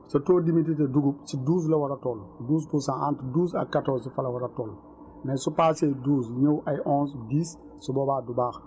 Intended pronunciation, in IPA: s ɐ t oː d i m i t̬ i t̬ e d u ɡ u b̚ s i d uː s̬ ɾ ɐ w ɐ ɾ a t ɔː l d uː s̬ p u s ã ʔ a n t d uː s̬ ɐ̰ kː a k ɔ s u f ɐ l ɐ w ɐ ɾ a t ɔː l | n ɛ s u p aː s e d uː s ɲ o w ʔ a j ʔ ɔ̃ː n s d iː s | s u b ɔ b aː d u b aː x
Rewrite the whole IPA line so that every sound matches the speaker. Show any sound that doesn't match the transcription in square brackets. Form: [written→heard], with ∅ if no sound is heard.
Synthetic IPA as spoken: s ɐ t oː d i m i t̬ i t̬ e d u ɡ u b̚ s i d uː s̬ [ɾ→l] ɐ w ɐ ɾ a t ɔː l d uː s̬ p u s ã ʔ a n t d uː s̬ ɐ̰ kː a [k→t] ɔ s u f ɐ l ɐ w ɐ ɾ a t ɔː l | n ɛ s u p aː s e d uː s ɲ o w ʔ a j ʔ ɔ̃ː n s d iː s | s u b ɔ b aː d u b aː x